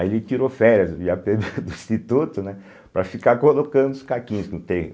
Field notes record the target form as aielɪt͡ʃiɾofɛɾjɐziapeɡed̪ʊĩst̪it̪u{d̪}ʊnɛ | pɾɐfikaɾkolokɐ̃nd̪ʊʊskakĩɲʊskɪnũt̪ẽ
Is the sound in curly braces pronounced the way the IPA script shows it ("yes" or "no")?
no